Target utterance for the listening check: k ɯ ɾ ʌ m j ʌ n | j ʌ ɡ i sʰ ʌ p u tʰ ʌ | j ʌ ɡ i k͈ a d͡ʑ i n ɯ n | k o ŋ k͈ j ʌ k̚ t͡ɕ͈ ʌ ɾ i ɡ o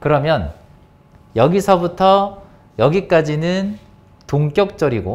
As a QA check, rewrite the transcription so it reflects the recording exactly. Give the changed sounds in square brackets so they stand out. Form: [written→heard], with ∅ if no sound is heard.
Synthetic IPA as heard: k ɯ ɾ ʌ m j ʌ n | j ʌ ɡ i sʰ ʌ [p→b] u tʰ ʌ | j ʌ ɡ i k͈ a d͡ʑ i n ɯ n | [k→t] o ŋ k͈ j ʌ k̚ t͡ɕ͈ ʌ ɾ i ɡ o